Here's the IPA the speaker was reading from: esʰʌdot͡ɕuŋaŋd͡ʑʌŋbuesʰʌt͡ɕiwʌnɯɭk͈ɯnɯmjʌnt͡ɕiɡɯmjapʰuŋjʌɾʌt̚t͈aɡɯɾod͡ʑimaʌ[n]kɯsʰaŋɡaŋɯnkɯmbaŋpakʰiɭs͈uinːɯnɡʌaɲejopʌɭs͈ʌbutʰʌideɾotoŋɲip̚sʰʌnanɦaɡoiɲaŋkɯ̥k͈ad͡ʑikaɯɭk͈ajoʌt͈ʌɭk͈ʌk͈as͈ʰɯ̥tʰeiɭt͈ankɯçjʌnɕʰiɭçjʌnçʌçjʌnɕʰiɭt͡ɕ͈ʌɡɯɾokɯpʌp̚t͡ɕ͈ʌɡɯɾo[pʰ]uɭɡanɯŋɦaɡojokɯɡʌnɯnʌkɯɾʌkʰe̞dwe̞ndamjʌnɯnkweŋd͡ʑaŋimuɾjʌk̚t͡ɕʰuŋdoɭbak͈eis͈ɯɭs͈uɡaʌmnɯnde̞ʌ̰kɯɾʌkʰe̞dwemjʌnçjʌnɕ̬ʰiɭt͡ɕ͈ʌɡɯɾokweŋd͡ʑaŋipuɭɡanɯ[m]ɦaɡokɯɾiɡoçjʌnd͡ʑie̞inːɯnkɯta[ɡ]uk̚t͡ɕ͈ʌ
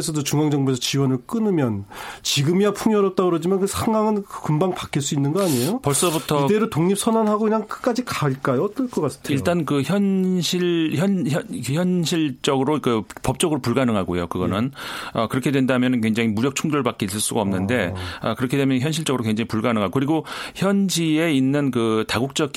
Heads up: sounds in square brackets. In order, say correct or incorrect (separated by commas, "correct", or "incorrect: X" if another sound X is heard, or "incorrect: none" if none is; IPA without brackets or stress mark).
correct, incorrect: p, incorrect: ŋ, correct